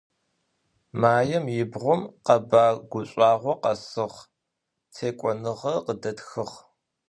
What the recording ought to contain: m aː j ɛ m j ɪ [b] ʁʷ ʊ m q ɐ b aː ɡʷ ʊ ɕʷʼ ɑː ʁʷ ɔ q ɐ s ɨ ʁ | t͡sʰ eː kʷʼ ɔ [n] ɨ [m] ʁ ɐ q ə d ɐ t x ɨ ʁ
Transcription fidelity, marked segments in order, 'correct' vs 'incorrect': correct, correct, incorrect

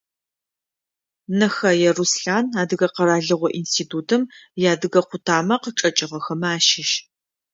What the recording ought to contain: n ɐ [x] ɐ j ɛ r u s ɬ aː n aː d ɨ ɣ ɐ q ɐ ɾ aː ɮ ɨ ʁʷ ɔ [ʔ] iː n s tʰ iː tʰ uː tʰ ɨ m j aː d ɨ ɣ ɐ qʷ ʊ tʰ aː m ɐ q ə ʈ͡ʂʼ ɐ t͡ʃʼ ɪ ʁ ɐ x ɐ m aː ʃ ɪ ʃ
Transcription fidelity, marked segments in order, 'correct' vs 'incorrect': correct, correct

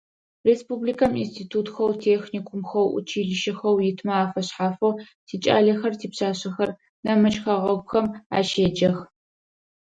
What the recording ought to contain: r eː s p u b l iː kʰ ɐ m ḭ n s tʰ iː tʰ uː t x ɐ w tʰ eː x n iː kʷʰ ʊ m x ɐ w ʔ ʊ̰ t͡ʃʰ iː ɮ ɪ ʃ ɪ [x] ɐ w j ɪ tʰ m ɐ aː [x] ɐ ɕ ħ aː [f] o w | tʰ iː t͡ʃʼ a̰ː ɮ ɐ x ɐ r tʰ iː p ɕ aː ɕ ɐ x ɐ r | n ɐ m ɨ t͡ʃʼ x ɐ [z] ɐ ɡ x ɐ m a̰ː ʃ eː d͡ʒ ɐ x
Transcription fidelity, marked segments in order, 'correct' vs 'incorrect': correct, incorrect, correct, incorrect

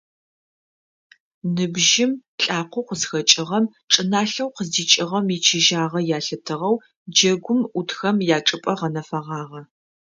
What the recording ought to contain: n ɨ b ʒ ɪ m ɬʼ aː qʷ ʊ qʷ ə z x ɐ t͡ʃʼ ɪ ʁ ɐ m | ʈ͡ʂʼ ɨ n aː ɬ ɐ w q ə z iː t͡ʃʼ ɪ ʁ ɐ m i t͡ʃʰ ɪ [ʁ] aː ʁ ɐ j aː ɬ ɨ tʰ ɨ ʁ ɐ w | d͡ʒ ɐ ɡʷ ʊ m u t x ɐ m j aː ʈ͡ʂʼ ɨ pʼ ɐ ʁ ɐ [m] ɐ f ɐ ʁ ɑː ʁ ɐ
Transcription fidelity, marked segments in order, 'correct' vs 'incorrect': incorrect, incorrect

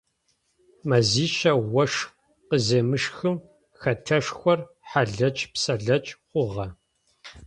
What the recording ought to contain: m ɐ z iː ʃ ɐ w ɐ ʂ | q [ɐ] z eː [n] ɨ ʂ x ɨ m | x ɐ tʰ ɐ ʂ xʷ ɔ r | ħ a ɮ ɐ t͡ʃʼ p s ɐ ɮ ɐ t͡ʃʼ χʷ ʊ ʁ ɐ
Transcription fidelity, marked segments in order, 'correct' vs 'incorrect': incorrect, incorrect

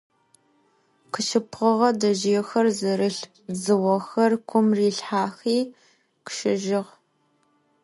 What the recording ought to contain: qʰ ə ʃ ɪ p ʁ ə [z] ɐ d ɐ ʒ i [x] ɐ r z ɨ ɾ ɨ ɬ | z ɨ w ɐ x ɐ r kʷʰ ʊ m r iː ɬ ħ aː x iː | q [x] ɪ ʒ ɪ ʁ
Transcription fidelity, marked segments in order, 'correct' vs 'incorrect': incorrect, correct, incorrect

